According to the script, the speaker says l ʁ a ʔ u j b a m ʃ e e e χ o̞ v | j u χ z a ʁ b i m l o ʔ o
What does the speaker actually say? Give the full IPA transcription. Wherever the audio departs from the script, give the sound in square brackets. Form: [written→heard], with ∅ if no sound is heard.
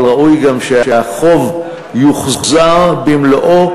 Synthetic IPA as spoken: l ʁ a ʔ u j [b→ɡ] a m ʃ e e [e→a] χ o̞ v | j u χ z a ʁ b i m l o ʔ o